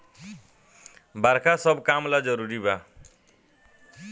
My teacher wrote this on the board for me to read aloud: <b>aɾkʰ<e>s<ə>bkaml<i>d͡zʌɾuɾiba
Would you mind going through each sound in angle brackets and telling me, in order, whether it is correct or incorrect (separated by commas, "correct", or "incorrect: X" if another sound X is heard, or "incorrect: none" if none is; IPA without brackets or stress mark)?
correct, incorrect: a, incorrect: ʌ, incorrect: a